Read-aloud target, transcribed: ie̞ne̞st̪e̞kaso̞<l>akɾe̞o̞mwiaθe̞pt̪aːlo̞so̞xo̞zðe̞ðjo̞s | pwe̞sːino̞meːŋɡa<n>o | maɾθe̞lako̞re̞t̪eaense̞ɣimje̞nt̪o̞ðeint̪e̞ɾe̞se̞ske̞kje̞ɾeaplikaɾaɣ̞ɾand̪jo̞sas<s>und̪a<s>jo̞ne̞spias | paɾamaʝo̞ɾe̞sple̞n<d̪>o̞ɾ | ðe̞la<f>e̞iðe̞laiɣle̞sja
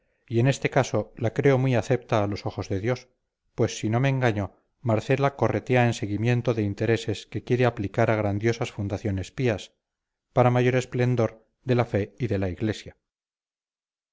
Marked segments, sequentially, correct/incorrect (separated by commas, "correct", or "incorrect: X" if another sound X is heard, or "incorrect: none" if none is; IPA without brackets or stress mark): correct, incorrect: ɲ, incorrect: f, incorrect: θ, correct, correct